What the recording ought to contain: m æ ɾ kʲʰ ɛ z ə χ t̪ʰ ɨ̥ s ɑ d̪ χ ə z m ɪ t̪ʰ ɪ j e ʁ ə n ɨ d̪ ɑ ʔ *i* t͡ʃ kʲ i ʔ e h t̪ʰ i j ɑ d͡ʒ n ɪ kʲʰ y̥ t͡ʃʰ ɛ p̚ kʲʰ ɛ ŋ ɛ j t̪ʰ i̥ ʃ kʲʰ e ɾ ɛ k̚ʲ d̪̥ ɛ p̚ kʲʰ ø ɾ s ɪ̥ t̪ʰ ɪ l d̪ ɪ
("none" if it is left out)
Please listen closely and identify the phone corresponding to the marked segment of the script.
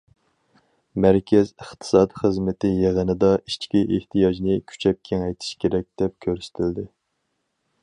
i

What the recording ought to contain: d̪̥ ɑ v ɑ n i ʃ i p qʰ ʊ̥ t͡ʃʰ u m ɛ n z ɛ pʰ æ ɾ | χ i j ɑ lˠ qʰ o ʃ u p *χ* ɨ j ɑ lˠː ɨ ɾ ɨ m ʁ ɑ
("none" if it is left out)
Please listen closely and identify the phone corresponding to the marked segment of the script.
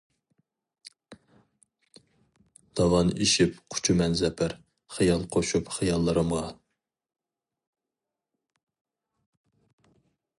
χ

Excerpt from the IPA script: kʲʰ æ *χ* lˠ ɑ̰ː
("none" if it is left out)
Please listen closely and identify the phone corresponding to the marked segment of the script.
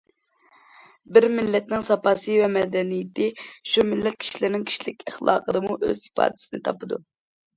χ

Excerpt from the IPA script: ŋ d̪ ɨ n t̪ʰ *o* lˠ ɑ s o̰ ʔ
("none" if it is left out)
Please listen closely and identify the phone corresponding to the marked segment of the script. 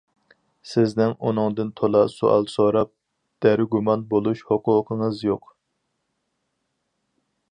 o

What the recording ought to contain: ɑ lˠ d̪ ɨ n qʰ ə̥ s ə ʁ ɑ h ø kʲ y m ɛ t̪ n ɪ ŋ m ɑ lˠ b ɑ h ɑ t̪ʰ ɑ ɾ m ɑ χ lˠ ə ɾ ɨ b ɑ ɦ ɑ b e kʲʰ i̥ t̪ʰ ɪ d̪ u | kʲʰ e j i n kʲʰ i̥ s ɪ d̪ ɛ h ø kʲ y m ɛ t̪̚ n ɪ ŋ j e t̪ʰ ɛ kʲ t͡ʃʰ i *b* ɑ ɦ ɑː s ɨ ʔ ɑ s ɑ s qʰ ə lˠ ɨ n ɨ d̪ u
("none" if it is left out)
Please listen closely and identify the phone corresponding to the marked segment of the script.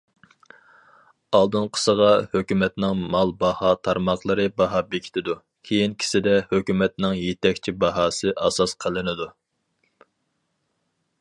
b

